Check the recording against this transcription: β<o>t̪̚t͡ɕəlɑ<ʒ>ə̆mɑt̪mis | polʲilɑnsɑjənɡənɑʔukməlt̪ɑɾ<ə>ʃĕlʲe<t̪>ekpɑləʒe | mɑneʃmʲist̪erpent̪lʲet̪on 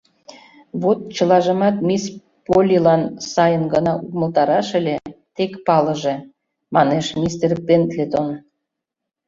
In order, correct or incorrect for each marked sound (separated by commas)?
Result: correct, correct, incorrect, correct